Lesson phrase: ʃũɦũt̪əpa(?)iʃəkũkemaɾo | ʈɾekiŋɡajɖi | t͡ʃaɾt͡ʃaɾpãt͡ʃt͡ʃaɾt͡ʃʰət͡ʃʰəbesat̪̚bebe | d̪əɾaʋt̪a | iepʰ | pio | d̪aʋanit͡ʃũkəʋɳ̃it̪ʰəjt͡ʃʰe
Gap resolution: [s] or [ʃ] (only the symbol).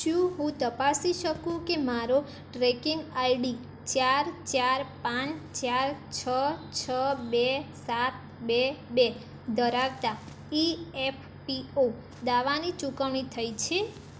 s